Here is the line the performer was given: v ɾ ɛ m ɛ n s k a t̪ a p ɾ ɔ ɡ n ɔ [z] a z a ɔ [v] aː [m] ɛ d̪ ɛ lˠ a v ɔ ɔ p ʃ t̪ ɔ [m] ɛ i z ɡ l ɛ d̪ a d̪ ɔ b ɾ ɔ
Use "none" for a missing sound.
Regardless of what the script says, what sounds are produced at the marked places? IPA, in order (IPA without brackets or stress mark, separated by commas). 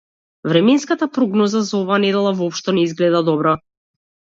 z, v, n, n